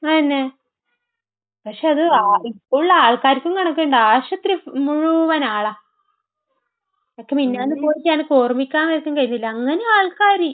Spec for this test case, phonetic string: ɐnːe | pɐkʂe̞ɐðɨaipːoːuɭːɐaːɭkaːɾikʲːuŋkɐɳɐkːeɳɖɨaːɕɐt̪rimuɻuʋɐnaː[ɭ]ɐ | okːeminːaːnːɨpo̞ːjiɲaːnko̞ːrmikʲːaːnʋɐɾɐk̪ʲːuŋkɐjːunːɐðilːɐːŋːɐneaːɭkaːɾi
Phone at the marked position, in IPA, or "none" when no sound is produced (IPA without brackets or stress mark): ɭ